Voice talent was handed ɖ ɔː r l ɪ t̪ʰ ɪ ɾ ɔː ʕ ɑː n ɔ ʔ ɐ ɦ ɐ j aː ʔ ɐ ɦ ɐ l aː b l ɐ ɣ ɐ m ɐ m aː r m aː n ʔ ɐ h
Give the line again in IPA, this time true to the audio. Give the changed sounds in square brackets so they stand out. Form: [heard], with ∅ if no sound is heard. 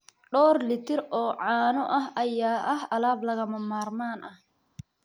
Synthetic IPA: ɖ ɔː r l ɪ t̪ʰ ɪ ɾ ɔː ʕ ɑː n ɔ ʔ ɐ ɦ ɐ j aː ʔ ɐ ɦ ɐ l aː b l ɐ ɣ ɐ m ɐ m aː r m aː n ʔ ɐ h